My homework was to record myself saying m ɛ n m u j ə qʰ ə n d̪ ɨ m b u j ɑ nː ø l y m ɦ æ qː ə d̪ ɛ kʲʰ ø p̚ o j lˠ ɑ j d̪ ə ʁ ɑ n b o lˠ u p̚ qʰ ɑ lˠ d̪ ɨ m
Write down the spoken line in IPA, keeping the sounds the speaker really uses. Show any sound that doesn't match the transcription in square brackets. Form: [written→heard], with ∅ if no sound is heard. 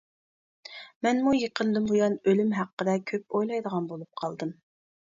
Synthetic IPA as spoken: m ɛ n m u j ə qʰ ə n d̪ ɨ m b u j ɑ [nː→n] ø l y m ɦ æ qː ə d̪ ɛ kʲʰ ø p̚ o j lˠ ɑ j d̪ ə ʁ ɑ n b o lˠ u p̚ qʰ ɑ lˠ d̪ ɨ m

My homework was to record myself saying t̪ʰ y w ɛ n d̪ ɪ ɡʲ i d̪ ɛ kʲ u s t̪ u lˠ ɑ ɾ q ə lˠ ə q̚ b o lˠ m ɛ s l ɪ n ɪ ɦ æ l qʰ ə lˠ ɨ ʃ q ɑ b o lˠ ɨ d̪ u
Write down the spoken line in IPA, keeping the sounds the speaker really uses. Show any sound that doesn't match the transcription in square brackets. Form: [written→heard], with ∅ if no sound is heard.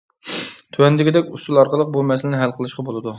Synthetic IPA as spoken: t̪ʰ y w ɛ n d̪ ɪ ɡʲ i d̪ ɛ kʲ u s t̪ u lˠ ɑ ɾ q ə lˠ ə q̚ b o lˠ m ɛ s l ɪ n ɪ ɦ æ l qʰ ə lˠ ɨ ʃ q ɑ b o lˠ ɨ d̪ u

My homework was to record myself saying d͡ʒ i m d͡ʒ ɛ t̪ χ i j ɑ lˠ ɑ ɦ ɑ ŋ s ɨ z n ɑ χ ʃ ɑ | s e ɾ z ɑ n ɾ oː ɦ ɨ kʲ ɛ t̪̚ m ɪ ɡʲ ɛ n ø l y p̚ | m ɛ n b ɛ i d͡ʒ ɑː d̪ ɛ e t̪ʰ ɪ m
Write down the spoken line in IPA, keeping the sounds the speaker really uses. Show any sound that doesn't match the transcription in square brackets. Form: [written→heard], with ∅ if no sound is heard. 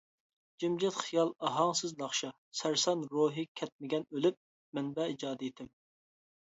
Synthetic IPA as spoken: d͡ʒ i m d͡ʒ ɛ t̪ χ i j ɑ lˠ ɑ ɦ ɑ ŋ s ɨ z n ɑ χ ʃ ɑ | s [e→æ] ɾ [z→s] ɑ n ɾ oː ɦ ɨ [kʲ→kʲʰ] ɛ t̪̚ m ɪ ɡʲ ɛ n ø l y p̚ | m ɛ n b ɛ i d͡ʒ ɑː d̪ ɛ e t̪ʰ ɪ m

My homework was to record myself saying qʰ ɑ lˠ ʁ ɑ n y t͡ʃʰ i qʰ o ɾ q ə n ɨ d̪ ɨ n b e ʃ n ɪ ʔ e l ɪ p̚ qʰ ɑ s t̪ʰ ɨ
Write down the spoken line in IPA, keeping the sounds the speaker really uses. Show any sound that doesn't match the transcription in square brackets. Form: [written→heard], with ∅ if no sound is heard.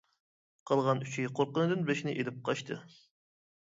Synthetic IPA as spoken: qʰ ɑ lˠ ʁ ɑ n y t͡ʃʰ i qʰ o ɾ q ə n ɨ d̪ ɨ n b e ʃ n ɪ ʔ e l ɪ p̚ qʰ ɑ [s→ʃ] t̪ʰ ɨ

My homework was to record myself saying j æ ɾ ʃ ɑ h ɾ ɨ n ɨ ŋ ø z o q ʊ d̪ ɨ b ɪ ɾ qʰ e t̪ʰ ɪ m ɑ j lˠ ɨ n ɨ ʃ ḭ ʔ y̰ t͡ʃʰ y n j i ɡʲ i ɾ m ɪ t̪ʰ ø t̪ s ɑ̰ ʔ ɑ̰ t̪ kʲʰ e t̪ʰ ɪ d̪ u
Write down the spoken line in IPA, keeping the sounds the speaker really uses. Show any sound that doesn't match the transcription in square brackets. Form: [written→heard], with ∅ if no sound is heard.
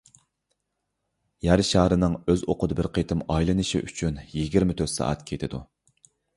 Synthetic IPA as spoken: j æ ɾ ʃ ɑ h ɾ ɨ n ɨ ŋ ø z o q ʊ d̪ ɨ b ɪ ɾ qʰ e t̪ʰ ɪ m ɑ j lˠ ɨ n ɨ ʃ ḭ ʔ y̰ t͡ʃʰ y n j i ɡʲ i ɾ m ɪ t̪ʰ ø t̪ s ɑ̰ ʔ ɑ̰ t̪ kʲʰ e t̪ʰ ɪ d̪ u

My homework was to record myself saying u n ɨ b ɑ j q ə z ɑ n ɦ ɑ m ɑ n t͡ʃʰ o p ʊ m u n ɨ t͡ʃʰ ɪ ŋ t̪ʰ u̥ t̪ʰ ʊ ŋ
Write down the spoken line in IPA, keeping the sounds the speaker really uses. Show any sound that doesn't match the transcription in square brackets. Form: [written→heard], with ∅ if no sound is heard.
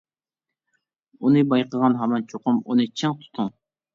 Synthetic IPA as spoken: u n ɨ b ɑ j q ə [z→ʁ] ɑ n ɦ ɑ m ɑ n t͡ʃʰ o [p→q] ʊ m u n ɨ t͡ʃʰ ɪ ŋ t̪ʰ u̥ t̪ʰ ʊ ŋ

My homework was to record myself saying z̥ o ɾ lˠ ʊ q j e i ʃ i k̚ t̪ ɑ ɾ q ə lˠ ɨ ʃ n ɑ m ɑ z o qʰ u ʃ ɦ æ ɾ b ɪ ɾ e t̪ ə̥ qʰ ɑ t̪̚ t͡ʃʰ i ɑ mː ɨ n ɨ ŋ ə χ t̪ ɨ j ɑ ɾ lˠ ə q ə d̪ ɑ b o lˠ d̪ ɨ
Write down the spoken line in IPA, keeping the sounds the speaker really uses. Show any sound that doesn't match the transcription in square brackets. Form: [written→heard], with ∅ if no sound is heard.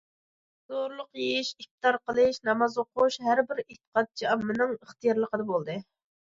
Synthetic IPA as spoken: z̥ o ɾ lˠ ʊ q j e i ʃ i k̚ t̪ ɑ ɾ q ə lˠ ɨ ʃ n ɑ m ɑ z o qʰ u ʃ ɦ æ ɾ b ɪ ɾ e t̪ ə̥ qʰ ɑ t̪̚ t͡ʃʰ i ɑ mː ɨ n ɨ ŋ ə χ t̪ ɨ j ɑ ɾ lˠ ə q ə d̪ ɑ b o lˠ d̪ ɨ

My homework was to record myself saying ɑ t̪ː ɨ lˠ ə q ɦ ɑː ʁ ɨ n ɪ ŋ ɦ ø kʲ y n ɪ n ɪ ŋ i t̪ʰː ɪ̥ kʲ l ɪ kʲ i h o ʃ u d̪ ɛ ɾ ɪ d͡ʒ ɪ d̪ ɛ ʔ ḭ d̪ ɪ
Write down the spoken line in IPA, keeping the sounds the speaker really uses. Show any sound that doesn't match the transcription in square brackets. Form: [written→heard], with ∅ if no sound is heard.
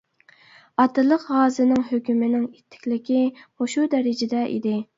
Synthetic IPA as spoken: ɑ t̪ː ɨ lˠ ə q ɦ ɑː [ʁ→z] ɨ n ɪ ŋ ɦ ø kʲ y [n→m] ɪ n ɪ ŋ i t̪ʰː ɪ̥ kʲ l ɪ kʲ i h o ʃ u d̪ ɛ ɾ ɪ d͡ʒ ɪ d̪ ɛ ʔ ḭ d̪ ɪ

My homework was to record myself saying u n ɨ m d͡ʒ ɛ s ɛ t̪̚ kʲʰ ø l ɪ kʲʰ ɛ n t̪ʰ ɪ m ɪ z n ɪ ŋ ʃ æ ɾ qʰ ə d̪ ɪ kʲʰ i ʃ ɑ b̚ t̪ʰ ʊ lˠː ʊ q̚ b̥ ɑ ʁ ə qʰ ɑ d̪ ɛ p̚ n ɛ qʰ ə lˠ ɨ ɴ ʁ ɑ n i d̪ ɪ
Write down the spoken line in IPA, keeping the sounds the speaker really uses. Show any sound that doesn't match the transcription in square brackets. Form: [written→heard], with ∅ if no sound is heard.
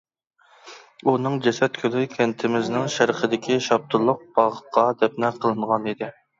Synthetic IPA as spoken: u n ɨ [m→ŋ] d͡ʒ ɛ s ɛ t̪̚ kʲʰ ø l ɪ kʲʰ ɛ n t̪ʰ ɪ m ɪ z n ɪ ŋ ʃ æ ɾ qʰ ə d̪ ɪ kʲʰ i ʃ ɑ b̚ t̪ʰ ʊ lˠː ʊ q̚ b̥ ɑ ʁ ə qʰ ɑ d̪ ɛ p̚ n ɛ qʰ ə lˠ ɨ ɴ ʁ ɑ n i d̪ ɪ

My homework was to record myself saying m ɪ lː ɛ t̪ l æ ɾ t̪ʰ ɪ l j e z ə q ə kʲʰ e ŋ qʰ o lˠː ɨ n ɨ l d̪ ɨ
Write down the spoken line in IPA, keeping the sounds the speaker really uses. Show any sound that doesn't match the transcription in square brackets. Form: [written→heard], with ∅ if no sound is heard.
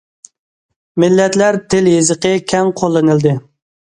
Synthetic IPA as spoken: m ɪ lː ɛ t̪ l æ ɾ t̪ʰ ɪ l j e z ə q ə kʲʰ [e→ɛ] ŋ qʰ o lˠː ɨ n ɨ l d̪ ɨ

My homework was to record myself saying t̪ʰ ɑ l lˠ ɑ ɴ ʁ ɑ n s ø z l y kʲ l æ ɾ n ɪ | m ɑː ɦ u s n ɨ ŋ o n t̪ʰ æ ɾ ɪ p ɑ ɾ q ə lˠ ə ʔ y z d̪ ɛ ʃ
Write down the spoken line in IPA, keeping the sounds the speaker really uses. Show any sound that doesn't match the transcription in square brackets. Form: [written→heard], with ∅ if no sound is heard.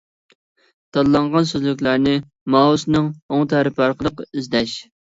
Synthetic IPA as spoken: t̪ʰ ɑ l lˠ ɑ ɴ ʁ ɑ n s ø z l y kʲ l æ ɾ n ɪ | m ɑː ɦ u s n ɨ ŋ o [n→ŋ] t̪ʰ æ ɾ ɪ p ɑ ɾ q ə lˠ ə [ʔ→q] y z d̪ ɛ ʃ

